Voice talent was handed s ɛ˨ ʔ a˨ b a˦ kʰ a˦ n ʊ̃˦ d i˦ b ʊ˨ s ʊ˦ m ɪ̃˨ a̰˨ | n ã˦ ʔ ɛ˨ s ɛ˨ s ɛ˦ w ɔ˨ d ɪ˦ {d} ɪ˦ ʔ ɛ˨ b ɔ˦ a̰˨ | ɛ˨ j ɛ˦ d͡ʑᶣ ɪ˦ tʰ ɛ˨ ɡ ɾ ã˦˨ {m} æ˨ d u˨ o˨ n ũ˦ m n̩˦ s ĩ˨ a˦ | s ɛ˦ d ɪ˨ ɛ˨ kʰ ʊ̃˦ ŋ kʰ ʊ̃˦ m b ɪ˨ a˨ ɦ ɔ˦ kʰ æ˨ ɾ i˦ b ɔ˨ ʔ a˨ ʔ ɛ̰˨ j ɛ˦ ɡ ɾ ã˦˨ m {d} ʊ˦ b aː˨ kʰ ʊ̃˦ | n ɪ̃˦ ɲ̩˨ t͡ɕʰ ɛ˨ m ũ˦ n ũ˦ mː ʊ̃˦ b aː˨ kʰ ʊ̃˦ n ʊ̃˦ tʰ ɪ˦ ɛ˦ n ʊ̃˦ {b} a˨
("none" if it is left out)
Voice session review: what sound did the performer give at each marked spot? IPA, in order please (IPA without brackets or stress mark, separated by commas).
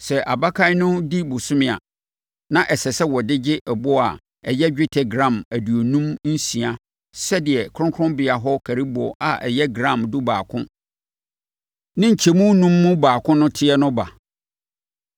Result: d͡ʑ, m, d, b